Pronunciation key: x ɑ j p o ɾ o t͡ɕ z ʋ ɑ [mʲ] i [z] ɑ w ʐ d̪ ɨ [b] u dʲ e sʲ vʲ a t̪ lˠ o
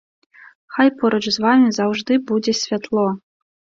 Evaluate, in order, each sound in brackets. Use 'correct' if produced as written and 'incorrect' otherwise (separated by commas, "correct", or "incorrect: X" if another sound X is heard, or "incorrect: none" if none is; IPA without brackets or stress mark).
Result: correct, correct, correct